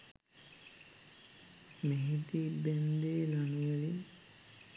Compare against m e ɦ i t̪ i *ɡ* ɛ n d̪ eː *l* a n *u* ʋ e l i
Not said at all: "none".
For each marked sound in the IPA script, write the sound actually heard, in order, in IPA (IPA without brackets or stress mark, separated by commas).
b, l, u